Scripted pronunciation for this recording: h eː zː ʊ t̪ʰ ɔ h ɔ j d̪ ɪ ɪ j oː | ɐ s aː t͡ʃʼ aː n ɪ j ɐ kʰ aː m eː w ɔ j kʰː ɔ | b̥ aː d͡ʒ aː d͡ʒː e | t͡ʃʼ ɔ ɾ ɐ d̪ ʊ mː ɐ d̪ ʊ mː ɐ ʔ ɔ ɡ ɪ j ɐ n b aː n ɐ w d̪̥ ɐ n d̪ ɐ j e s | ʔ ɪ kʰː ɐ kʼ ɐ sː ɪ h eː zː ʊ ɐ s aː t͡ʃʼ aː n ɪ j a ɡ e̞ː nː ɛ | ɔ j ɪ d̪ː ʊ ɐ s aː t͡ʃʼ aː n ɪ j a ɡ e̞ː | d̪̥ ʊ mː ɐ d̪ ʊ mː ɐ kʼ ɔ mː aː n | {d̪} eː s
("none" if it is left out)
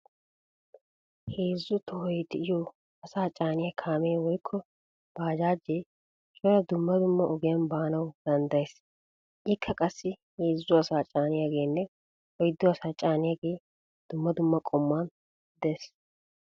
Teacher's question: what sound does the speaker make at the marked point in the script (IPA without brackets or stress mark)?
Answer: d̪